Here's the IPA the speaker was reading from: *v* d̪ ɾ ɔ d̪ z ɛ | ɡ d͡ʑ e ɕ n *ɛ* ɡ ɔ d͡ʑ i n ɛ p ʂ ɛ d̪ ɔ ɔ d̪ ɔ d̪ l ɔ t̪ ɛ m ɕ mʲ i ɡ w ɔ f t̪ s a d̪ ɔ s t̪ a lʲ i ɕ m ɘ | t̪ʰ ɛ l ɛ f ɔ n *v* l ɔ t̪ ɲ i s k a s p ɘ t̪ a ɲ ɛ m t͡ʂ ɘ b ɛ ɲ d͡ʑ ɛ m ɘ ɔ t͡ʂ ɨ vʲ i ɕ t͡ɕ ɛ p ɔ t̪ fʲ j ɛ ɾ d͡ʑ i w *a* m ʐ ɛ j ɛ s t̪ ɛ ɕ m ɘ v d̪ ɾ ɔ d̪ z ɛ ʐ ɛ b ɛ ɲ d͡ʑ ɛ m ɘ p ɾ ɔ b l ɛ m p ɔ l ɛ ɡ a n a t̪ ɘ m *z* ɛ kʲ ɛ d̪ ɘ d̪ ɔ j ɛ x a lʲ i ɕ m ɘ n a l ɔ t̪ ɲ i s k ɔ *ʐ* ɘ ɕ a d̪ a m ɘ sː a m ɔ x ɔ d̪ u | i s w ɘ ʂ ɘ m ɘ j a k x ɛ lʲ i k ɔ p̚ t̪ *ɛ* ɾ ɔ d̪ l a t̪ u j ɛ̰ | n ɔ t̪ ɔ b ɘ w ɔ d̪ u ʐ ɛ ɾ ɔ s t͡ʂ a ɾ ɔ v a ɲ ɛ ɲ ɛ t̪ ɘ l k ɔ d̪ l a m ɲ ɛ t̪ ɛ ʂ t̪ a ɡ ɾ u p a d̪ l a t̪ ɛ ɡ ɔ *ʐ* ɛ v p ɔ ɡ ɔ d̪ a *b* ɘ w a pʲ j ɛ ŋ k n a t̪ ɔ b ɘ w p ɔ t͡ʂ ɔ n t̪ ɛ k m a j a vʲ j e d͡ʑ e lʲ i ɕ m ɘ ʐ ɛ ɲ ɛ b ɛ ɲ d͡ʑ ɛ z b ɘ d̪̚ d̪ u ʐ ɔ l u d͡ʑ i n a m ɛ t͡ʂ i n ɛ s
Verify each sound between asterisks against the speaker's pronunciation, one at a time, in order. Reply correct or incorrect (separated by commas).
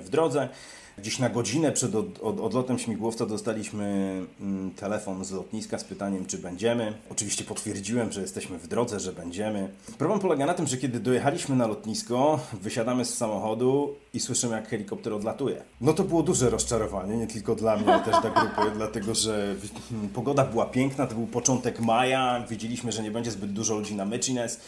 correct, incorrect, incorrect, incorrect, incorrect, incorrect, correct, correct, correct